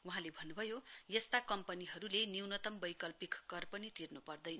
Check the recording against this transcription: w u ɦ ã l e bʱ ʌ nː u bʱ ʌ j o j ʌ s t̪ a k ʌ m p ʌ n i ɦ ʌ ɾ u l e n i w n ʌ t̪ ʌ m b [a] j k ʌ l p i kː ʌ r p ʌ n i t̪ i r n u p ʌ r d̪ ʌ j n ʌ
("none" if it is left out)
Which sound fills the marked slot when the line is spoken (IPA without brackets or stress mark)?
ʌ